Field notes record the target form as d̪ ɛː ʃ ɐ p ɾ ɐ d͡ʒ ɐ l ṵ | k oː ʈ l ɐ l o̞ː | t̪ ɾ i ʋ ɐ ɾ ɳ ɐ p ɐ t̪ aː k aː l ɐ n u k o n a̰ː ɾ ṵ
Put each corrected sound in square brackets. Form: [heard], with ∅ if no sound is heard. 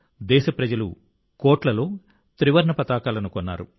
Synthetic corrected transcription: d̪ ɛː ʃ ɐ p ɾ ɐ d͡ʒ ɐ l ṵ | k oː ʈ l ɐ l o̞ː | t̪ ɾ i ʋ ɐ ɾ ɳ ɐ p ɐ t̪ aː k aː l ɐ n u k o [nː] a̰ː ɾ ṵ